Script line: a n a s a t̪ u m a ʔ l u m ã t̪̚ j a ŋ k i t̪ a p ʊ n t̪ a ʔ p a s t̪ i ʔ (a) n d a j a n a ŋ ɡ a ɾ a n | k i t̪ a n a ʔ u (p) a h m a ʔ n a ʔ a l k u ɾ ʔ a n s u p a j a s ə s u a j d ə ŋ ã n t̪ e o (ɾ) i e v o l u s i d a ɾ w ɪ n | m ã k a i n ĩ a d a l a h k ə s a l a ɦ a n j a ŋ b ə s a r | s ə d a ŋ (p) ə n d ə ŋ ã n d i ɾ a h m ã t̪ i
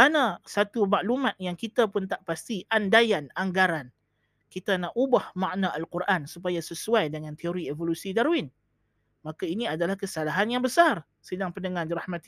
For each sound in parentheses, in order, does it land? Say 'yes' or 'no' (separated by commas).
yes, no, yes, yes